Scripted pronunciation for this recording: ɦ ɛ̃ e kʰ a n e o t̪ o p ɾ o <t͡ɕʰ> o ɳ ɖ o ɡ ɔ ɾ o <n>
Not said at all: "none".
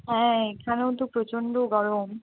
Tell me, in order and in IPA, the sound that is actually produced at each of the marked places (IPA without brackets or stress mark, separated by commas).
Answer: t͡ɕ, m